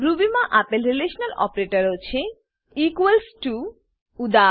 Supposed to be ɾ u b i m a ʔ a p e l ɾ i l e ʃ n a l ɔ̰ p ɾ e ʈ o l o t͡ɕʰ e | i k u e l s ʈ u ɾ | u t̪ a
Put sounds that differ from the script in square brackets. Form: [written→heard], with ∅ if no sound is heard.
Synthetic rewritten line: ɾ u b i m a ʔ a p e l ɾ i l e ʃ n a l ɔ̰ p ɾ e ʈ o [l→ɾ] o t͡ɕʰ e | i k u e l s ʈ u [ɾ→∅] | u [t̪→d̪] a